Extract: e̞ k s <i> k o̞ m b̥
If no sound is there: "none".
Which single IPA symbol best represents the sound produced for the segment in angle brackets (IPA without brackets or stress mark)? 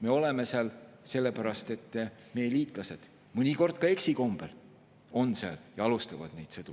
i